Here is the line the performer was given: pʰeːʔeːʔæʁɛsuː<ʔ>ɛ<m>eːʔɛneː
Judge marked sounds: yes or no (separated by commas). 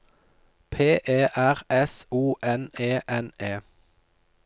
yes, no